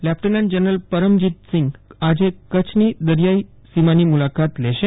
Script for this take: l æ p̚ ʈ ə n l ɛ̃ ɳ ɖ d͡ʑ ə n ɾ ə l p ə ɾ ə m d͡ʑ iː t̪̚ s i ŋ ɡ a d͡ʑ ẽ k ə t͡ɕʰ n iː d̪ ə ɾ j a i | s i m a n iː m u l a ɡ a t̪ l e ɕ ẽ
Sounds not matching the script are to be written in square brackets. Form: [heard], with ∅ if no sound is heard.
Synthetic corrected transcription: l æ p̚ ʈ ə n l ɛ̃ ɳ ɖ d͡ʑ ə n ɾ ə l p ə ɾ ə m d͡ʑ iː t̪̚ s i ŋ ɡ a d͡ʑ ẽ k ə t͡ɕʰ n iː d̪ ə ɾ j a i | s i m a n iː m u l a [k] a t̪ l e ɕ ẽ